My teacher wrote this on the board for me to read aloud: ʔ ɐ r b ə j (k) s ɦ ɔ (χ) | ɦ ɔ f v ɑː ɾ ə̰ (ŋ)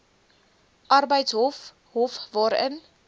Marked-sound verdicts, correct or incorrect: incorrect, incorrect, incorrect

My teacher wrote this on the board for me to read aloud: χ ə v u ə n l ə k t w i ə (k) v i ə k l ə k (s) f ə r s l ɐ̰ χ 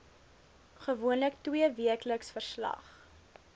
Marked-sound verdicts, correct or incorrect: incorrect, correct

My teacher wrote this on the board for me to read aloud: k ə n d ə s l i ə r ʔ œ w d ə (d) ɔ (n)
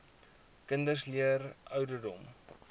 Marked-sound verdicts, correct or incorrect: correct, incorrect

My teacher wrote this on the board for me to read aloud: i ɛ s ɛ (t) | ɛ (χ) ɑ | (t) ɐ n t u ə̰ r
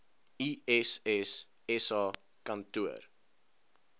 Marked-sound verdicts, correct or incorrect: incorrect, incorrect, incorrect

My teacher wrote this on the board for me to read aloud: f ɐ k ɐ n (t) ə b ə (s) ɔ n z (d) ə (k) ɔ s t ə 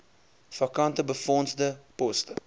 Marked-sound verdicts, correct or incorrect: correct, incorrect, correct, incorrect

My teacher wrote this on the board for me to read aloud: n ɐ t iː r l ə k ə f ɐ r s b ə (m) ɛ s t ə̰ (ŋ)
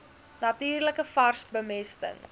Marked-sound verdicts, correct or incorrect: correct, correct

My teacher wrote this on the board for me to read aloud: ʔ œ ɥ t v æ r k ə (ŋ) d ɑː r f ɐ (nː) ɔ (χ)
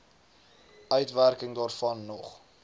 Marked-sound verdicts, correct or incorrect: correct, correct, correct

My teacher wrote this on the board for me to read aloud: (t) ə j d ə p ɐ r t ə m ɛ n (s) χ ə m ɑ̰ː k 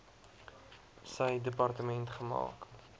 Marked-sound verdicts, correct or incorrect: incorrect, incorrect

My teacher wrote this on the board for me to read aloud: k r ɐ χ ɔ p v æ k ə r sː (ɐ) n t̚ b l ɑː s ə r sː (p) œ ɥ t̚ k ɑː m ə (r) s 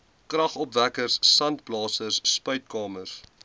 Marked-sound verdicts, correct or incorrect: correct, correct, correct

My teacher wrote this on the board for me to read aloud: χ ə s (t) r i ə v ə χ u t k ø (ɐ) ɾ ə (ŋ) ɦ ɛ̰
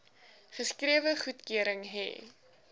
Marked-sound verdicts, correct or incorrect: incorrect, incorrect, correct

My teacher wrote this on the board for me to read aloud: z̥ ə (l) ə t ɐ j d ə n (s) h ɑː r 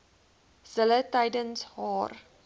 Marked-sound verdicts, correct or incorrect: correct, correct

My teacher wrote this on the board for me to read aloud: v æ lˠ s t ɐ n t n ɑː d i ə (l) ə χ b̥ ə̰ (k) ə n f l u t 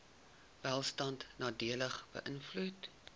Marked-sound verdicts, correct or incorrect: correct, incorrect

